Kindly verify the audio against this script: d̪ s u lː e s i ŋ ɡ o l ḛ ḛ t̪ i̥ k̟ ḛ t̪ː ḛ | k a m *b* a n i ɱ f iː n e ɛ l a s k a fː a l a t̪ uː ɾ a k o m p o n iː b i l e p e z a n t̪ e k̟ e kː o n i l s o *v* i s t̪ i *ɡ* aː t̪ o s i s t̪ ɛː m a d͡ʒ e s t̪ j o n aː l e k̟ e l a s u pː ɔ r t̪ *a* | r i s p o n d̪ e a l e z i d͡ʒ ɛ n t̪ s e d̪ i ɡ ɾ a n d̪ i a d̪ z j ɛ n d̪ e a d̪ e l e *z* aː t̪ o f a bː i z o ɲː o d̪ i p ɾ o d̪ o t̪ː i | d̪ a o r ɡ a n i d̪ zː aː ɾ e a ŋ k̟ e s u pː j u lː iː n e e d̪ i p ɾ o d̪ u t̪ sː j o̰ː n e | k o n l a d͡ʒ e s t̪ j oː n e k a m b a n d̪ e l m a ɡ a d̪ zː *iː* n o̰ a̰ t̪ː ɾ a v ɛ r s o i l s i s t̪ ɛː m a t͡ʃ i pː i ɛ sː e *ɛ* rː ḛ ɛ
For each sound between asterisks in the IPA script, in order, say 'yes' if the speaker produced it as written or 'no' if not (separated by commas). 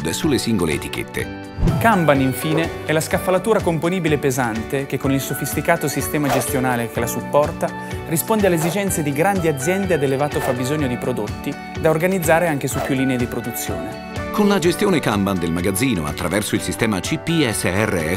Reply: yes, no, no, yes, no, yes, yes